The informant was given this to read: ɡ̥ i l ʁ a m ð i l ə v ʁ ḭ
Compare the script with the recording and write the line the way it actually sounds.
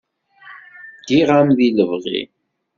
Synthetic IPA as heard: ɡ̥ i ʁ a m ð i l ə v ʁ ḭ

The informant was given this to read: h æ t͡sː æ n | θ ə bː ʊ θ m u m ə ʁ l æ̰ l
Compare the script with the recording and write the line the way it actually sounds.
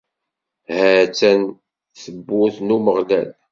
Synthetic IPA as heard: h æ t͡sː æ n | θ ə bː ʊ θ n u m ə ʁ l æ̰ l

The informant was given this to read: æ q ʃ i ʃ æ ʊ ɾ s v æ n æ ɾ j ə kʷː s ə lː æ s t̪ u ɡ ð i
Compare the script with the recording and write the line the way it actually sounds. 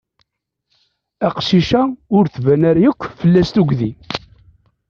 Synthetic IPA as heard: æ q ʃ i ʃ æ ʊ ɾ θ v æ n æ ɾ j ə kʷː f ə lː æ s t̪ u ɡ ð i

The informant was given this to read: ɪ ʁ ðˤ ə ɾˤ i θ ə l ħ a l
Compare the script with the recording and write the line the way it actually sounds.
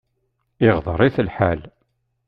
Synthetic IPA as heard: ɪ ʁ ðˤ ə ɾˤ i θ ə l ħ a l

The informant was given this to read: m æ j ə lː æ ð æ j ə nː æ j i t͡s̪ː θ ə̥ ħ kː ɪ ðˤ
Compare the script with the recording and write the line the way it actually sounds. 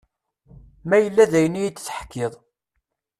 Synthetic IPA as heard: m æ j ə lː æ ð æ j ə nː i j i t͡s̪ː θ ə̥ ħ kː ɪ ðˤ

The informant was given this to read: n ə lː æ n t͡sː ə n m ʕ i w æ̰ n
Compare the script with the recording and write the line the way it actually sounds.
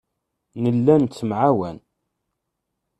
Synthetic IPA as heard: n ə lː æ n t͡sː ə m ʕ a w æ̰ n

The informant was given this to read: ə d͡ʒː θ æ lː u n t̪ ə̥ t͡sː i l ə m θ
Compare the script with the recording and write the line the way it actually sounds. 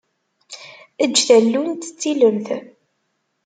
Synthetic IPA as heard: ə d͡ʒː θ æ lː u n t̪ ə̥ t͡sː i l ə m θ

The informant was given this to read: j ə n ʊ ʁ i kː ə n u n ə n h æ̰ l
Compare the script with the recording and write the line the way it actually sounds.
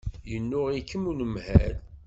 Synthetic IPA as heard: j ə nː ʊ ʁ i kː ə m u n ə m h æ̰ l

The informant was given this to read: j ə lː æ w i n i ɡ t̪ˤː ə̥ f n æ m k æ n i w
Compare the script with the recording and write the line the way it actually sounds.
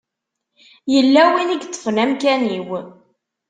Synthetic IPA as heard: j ə lː æ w i n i ɡ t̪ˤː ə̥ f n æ m k æ n i w

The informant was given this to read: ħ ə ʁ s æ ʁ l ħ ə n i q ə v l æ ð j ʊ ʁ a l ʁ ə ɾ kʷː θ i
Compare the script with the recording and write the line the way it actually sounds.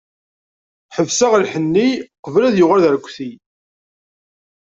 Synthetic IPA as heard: ħ ə v s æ ʁ l ħ ə nː i q ə v l æ ð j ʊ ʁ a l ð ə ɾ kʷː θ i

